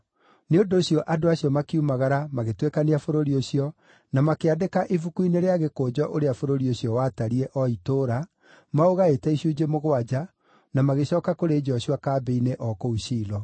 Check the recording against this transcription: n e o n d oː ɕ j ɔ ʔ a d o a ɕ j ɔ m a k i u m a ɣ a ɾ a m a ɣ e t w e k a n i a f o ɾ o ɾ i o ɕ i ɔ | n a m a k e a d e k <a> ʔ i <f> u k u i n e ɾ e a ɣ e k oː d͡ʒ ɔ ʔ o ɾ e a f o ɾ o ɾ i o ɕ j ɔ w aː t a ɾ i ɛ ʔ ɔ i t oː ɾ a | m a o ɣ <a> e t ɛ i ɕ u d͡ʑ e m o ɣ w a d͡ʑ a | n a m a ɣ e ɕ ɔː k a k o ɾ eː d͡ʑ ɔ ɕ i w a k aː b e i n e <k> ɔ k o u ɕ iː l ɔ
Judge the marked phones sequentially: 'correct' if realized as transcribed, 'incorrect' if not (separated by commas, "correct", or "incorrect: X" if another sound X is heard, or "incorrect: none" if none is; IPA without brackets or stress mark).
correct, incorrect: v, correct, incorrect: ʔ